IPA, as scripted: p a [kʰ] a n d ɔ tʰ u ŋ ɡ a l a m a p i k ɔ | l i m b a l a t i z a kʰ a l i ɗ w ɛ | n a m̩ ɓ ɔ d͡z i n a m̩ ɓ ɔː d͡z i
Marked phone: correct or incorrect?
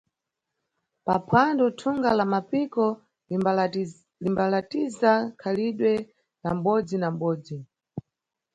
incorrect